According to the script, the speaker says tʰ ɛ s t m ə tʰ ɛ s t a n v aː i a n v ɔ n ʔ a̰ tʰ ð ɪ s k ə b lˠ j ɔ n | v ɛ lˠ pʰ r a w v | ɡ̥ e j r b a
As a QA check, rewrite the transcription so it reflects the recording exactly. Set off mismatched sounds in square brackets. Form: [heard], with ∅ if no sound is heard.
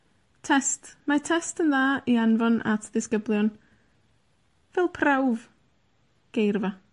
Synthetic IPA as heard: tʰ ɛ s t m [a] tʰ ɛ s t [ə] n [ð] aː i a n v ɔ n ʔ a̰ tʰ ð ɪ s k ə b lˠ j ɔ n | v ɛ lˠ pʰ r a w v | ɡ̥ e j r [v] a